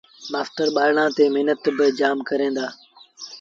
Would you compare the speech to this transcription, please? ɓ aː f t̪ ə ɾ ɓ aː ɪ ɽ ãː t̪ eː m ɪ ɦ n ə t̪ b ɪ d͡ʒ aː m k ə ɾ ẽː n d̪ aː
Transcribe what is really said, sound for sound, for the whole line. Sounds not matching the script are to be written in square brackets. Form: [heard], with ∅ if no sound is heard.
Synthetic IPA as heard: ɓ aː f t̪ ə ɾ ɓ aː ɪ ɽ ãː t̪ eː m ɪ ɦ n ə t̪ b ɪ d͡ʒ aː m k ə ɾ ẽː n d̪ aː